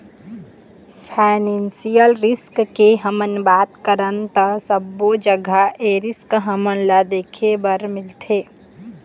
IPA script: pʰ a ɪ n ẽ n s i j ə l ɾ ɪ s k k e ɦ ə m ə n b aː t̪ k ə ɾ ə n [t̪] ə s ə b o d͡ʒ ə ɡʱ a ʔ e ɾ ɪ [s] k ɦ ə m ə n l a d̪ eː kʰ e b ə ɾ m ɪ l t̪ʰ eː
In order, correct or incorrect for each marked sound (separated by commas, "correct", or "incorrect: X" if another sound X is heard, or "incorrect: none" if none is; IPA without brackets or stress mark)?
correct, correct